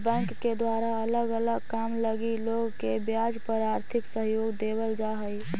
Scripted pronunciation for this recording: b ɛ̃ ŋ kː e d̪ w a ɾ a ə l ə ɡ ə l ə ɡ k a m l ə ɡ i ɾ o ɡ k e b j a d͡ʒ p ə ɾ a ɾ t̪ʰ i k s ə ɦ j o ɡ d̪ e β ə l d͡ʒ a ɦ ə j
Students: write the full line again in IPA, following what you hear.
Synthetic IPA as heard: b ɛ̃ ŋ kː e d̪ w a ɾ a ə l ə ɡ ə l ə ɡ k a m l ə ɡ i l o ɡ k e b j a d͡ʒ p ə ɾ a ɾ t̪ʰ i k s ə ɦ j o ɡ d̪ e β ə l d͡ʒ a ɦ ə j